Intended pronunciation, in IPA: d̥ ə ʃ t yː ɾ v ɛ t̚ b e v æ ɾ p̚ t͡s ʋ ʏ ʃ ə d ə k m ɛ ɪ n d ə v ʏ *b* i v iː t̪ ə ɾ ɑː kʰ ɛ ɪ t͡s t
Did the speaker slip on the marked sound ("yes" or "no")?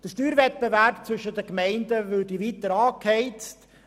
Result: yes